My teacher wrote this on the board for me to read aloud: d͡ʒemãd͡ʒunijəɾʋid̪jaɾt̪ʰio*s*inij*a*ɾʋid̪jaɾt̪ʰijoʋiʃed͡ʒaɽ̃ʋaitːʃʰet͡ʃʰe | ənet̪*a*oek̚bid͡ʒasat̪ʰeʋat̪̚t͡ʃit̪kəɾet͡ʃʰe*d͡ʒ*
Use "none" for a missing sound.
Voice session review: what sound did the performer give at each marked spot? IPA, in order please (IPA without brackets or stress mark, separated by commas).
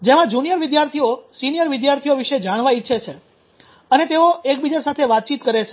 s, ə, e, none